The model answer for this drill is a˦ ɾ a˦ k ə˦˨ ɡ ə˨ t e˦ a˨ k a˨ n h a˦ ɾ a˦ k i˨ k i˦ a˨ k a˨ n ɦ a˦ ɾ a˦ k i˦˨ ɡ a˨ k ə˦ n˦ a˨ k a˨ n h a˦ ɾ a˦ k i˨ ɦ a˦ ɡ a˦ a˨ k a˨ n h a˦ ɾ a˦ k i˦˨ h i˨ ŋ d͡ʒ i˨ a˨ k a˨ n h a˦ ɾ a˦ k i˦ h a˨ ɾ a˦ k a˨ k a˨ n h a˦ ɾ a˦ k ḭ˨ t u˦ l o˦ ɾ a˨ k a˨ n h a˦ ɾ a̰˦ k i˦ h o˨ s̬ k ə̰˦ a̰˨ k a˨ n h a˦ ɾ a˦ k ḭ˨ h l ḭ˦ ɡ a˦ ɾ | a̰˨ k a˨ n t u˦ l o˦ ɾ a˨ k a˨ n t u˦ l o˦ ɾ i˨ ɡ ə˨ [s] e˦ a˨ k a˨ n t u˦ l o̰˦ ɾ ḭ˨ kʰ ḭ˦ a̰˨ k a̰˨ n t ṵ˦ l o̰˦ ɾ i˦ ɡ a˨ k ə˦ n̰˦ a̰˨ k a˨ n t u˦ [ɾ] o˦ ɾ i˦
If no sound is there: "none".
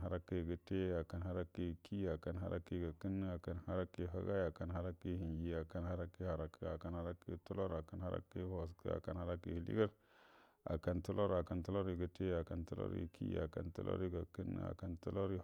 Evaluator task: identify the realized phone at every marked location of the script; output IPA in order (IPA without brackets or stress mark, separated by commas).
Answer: t, l